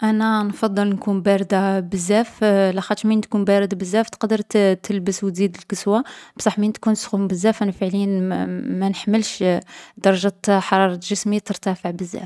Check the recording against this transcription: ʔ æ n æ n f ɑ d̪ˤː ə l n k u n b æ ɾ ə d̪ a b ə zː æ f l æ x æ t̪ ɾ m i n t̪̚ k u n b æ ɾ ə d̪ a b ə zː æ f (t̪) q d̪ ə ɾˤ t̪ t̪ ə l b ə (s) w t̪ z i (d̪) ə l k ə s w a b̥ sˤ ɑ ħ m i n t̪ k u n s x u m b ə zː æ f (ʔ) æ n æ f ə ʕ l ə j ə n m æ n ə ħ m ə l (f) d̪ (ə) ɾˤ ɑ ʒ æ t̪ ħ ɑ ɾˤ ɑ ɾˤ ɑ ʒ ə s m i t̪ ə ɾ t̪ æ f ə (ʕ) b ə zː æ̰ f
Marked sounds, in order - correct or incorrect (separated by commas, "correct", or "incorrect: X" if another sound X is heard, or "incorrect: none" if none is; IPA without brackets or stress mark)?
correct, correct, correct, correct, incorrect: ʃ, incorrect: ɑ, correct